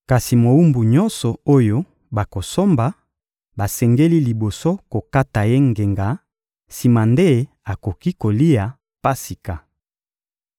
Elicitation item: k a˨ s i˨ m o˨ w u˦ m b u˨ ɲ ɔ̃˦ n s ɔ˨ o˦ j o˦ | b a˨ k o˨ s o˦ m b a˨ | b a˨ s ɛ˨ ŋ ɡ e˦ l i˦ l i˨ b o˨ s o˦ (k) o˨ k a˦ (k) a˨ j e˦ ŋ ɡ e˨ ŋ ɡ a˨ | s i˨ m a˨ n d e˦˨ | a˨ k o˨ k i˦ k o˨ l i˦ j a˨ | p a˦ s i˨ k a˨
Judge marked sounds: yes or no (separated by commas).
yes, no